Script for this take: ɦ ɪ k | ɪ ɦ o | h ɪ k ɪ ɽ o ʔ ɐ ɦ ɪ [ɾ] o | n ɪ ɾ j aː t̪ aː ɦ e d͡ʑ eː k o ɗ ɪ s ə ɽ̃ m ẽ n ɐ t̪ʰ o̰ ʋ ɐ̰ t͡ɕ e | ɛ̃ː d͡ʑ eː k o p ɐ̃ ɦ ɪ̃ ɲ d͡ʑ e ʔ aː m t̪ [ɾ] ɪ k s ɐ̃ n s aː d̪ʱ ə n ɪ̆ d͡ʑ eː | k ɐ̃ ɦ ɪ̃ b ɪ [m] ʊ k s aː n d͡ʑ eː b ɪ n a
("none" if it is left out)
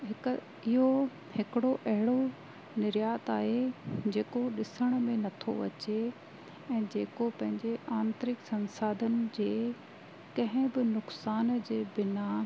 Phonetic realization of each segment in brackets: ɽ, ɾ, n

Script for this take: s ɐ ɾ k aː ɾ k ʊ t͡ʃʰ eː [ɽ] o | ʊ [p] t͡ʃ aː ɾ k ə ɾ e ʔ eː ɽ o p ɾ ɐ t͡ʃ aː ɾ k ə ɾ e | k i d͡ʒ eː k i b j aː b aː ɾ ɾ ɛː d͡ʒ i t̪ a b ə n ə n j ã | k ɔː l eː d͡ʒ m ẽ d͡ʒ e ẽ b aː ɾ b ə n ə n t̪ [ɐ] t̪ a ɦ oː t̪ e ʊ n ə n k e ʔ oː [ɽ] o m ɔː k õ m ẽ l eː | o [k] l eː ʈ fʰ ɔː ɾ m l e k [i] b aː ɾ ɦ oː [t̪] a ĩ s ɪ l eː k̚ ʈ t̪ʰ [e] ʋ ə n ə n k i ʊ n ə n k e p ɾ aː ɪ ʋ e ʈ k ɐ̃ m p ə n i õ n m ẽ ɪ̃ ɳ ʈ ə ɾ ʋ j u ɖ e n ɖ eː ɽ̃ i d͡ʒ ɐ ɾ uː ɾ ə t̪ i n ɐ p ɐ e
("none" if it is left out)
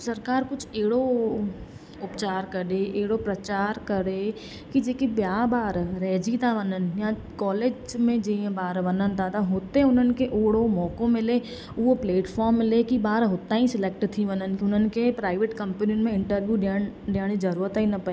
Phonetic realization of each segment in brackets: ɽ, p, a, ɽ, p, i, t̪, i

